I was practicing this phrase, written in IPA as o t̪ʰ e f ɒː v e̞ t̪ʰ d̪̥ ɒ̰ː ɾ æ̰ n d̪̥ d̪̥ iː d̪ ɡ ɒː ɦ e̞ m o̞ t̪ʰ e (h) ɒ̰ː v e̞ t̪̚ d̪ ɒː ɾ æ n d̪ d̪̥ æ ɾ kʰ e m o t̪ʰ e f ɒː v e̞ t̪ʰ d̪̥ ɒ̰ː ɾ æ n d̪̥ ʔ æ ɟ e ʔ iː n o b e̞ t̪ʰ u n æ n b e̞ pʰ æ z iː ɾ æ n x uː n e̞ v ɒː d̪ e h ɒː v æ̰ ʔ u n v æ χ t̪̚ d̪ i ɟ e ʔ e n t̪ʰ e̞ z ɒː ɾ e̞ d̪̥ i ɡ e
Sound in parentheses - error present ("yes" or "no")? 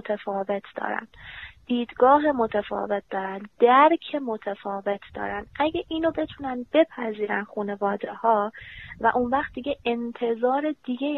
yes